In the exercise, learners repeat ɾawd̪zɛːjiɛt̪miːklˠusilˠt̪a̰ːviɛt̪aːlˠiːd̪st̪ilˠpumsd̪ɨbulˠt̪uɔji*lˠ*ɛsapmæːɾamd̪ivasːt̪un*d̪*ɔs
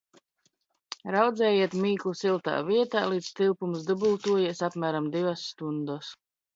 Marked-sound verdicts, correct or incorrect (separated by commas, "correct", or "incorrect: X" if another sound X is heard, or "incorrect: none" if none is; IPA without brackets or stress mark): incorrect: none, correct